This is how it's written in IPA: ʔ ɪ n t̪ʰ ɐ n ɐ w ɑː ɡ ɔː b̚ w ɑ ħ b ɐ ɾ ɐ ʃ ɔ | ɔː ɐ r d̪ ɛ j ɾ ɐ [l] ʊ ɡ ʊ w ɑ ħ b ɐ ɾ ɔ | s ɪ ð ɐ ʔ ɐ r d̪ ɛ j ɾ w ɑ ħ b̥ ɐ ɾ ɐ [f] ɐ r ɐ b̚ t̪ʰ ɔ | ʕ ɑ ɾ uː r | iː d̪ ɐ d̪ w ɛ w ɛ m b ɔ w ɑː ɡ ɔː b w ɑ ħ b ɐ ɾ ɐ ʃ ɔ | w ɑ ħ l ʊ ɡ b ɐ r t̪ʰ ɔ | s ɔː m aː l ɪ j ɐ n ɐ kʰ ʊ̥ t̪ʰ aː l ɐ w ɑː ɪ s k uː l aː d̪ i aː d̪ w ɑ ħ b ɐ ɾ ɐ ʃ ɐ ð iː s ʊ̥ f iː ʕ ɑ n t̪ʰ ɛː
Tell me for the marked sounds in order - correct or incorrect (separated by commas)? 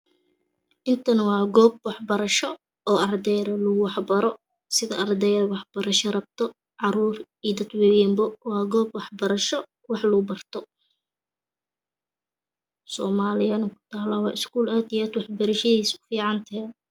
correct, incorrect